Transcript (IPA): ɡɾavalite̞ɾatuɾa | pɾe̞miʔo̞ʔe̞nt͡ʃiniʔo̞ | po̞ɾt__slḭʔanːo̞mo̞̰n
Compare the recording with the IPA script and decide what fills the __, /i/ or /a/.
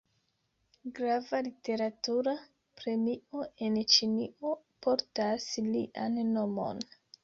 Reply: a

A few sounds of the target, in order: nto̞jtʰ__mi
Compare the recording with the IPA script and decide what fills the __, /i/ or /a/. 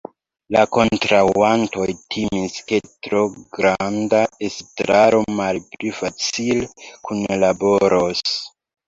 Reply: i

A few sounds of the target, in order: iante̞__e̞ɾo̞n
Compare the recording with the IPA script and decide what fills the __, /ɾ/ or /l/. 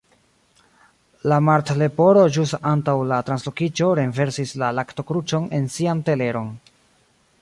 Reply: l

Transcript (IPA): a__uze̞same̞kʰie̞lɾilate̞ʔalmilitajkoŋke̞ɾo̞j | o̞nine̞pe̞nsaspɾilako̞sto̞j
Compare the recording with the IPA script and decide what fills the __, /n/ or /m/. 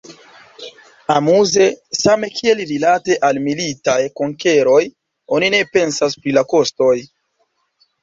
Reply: m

